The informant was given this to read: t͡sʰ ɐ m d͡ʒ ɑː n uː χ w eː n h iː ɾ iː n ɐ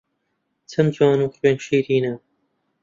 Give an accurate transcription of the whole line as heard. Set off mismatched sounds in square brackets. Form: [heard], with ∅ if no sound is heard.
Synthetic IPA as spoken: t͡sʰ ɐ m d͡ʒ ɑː n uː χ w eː n [ʃ] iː ɾ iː n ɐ